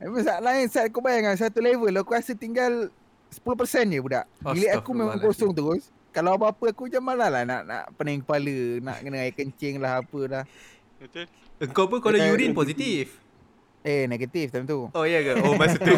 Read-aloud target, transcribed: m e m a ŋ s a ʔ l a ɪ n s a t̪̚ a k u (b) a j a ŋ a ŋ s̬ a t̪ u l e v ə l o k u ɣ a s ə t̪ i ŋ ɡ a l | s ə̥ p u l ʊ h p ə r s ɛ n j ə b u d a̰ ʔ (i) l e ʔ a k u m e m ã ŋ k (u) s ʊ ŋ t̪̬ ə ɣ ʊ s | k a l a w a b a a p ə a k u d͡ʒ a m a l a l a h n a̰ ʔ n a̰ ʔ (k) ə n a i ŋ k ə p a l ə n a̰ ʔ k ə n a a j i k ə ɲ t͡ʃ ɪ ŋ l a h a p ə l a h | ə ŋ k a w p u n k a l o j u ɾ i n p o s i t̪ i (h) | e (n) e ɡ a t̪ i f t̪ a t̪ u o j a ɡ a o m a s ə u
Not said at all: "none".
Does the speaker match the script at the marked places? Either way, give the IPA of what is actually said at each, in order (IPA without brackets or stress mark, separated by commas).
b, i, o, p, f, n